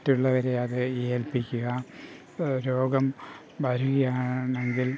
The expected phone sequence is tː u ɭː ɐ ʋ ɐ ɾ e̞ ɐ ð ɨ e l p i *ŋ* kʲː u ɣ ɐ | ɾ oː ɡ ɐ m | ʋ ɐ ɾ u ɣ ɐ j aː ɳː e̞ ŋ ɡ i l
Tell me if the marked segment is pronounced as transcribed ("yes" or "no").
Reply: no